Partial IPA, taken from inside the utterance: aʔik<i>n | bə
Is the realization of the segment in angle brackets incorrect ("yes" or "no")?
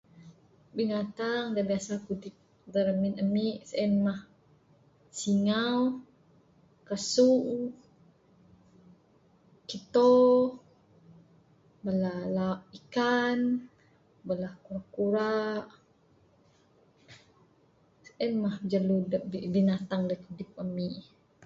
yes